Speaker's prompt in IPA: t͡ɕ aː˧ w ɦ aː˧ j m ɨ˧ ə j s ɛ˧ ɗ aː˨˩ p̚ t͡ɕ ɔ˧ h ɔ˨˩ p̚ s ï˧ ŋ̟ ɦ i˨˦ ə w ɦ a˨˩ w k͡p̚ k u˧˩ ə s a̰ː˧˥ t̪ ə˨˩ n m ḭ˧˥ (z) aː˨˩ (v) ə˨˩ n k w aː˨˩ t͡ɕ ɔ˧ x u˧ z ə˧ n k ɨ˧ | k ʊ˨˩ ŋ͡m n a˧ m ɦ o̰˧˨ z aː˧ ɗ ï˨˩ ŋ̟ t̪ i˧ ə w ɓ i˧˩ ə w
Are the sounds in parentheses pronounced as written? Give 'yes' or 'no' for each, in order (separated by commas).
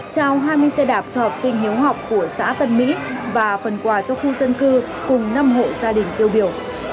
no, no